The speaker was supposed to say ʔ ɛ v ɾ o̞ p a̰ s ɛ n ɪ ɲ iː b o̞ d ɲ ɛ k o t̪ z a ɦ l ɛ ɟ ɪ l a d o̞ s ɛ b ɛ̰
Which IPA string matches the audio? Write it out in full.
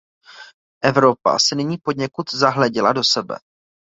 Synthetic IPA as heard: ʔ ɛ v ɾ o̞ p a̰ s ɛ n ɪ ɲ iː p o̞ d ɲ ɛ k u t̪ z a ɦ l ɛ ɟ ɪ l a d o̞ s ɛ b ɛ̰